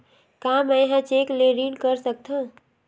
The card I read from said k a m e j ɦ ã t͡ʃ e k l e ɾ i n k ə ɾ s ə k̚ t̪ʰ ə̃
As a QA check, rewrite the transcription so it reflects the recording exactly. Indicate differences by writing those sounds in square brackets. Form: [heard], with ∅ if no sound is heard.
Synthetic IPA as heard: k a m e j ɦ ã t͡ʃ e k l e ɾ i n k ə ɾ s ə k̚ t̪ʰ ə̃